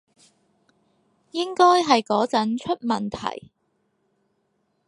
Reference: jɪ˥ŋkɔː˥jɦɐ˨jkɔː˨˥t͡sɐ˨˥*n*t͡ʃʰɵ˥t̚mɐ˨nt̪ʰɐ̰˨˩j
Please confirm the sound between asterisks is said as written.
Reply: yes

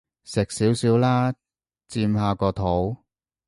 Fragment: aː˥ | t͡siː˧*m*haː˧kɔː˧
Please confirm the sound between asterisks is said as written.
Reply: yes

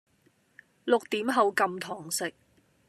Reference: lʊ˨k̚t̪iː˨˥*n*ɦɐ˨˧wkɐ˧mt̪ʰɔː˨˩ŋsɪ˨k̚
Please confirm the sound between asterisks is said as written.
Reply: no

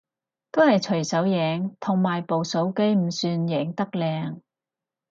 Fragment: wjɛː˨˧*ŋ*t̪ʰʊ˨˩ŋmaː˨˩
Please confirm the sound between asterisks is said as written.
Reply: yes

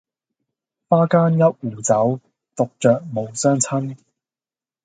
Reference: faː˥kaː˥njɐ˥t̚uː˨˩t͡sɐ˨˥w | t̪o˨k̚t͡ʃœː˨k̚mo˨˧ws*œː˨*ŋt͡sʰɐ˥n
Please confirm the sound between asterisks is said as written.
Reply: no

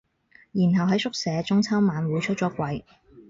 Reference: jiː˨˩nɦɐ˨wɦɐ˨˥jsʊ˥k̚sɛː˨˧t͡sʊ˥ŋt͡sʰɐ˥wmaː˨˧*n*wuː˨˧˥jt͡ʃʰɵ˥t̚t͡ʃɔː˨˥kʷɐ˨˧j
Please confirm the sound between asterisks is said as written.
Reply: yes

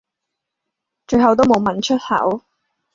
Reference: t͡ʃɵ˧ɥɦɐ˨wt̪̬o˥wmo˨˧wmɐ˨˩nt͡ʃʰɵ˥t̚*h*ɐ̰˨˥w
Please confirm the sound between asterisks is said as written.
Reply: yes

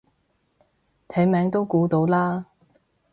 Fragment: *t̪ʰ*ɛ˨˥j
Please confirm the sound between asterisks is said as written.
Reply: yes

